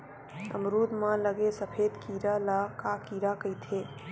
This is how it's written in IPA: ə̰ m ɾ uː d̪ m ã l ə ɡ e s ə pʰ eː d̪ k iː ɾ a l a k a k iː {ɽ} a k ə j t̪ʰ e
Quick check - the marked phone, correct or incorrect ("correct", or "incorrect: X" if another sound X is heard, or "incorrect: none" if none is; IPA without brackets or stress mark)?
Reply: incorrect: ɾ